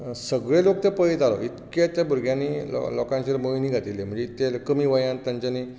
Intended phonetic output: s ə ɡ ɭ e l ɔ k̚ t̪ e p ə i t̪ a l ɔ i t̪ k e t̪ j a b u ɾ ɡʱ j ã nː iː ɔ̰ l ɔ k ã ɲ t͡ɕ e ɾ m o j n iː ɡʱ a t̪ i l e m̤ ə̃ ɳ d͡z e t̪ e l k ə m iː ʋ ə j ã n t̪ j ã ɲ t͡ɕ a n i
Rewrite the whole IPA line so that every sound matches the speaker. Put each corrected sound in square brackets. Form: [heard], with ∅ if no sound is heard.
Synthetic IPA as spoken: s ə ɡ ɭ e l [o] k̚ t̪ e p ə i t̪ a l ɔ i t̪ k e t̪ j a b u ɾ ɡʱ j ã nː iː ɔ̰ l ɔ k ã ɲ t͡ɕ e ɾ m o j n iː ɡʱ a t̪ i l e m̤ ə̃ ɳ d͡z e t̪ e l k ə m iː ʋ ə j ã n t̪ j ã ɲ t͡ɕ a n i